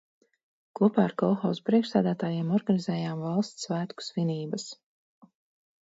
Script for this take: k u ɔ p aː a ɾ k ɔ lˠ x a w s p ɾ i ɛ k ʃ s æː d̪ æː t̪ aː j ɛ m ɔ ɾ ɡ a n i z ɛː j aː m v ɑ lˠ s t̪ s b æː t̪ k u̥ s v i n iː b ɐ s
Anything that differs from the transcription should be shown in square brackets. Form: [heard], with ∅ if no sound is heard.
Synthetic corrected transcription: k u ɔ p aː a ɾ k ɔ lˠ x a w s p ɾ i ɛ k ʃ s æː d̪ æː t̪ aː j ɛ m ɔ ɾ ɡ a n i z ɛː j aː m v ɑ lˠ s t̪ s [v] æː t̪ k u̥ s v i n iː b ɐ s